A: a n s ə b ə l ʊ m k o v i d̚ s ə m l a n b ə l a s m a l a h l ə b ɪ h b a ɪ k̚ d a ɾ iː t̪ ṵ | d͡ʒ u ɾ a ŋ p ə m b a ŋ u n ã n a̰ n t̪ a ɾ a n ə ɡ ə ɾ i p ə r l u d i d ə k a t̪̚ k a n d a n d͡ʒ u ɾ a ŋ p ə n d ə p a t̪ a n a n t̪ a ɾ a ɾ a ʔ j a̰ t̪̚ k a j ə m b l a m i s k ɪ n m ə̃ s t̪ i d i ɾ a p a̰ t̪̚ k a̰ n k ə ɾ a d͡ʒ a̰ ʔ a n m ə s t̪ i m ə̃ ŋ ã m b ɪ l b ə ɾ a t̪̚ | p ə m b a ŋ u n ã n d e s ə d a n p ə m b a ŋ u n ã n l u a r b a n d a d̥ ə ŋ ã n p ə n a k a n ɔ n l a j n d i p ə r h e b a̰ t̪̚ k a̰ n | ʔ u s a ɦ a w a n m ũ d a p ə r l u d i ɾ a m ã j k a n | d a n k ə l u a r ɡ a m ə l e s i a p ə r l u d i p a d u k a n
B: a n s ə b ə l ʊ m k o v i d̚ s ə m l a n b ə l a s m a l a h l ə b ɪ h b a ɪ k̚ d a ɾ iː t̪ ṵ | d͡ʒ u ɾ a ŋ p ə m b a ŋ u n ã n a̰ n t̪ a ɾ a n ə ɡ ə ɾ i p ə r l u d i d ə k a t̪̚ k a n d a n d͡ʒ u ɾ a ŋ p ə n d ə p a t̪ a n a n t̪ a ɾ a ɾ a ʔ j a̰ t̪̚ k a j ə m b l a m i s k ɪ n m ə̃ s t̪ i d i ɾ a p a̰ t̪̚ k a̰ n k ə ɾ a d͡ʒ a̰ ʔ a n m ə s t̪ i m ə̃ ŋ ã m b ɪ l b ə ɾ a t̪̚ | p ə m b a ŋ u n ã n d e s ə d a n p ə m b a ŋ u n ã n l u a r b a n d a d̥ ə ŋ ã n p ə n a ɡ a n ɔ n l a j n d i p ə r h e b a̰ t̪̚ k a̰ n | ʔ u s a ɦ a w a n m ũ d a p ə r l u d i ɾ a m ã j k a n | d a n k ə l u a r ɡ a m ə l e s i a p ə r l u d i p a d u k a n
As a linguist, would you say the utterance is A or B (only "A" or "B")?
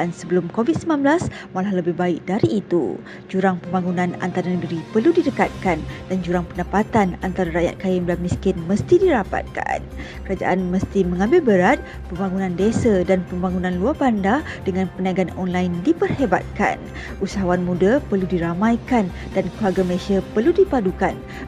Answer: B